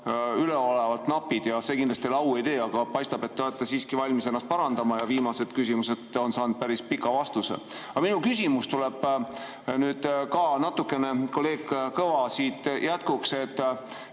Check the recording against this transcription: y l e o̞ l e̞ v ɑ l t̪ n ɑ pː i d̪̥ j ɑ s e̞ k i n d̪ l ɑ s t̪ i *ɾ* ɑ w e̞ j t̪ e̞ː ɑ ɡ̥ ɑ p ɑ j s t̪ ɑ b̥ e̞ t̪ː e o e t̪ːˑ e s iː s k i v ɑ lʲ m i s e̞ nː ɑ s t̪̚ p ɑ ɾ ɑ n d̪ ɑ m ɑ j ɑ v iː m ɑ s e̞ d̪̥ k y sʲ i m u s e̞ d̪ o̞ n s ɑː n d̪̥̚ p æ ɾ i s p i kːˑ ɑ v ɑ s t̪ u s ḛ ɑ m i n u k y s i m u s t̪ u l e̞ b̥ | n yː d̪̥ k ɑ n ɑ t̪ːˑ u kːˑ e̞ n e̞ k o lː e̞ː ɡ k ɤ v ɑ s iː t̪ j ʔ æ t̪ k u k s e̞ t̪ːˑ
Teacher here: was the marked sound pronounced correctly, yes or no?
no